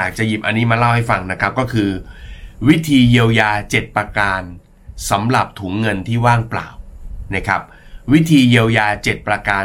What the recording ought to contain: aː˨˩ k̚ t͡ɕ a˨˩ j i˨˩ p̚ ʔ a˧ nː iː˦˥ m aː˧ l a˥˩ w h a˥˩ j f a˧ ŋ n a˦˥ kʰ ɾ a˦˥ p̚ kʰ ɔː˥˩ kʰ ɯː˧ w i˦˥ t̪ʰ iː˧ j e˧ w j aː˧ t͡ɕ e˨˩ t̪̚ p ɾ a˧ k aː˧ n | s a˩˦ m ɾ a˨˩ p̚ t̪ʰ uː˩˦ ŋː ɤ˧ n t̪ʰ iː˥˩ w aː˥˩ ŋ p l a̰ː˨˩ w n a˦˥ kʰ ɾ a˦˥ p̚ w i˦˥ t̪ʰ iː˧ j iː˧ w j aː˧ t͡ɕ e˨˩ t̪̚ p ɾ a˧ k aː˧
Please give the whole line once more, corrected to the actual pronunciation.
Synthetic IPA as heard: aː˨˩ k̚ t͡ɕ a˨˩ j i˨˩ p̚ ʔ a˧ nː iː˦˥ m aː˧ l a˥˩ w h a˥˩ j f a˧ ŋ n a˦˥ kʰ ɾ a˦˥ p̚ k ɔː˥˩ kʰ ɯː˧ w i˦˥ t̪ʰ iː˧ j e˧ w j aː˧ t͡ɕ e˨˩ t̪̚ p ɾ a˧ k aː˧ n | s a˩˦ m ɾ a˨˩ p̚ t̪ʰ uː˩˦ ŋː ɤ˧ n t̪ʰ iː˥˩ w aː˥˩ ŋ p l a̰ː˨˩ w n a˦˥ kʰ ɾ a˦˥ p̚ w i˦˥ t̪ʰ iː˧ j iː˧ w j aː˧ t͡ɕ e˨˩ t̪̚ p ɾ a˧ k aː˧